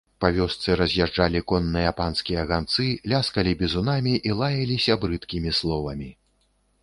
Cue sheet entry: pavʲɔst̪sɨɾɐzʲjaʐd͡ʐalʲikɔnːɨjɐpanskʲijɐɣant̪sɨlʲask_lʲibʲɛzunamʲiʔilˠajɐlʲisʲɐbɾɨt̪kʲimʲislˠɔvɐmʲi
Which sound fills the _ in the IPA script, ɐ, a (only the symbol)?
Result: ɐ